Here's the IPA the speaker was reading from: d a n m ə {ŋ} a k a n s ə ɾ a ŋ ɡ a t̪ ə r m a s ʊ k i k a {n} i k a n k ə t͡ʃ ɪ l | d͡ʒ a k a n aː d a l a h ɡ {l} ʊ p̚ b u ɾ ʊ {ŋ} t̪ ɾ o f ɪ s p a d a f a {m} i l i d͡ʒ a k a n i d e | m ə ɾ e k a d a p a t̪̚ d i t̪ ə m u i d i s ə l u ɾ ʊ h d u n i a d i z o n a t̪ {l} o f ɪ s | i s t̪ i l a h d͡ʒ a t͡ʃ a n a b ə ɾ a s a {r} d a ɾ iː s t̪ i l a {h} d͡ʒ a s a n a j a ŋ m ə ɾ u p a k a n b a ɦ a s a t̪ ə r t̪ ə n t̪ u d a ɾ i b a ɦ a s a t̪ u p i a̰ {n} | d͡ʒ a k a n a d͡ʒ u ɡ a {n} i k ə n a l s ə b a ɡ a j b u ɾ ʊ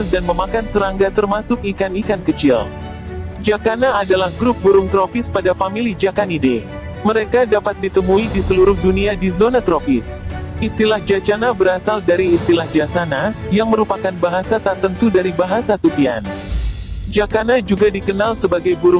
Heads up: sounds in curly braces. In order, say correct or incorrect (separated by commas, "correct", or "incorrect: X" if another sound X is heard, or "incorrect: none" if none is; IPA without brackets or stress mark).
incorrect: m, correct, incorrect: ɾ, correct, correct, incorrect: ɾ, incorrect: l, correct, correct, incorrect: d